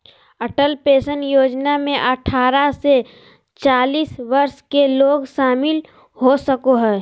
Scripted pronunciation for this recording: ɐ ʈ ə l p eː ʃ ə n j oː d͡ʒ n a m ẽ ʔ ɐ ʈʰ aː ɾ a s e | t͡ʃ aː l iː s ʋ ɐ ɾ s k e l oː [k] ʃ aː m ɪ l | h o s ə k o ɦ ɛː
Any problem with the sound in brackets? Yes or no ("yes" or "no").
yes